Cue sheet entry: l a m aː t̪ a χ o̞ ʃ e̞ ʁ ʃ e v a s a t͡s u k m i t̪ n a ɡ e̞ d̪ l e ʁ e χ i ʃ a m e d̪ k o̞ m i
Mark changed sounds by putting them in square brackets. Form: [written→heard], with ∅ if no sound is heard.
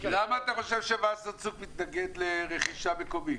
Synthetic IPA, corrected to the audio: l a m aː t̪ a χ o̞ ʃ e̞ [ʁ→v] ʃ e v a s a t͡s u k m i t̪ n a ɡ e̞ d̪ l e ʁ e χ i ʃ a m e [d̪→∅] k o̞ m i